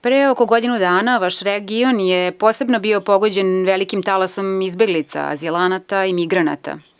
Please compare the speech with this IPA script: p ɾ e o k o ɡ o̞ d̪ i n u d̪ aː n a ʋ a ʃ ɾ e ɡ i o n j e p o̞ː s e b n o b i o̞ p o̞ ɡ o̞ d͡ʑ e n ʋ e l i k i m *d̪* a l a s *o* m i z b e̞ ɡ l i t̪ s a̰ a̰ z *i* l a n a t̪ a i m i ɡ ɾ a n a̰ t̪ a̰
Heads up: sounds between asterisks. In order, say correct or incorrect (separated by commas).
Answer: incorrect, correct, correct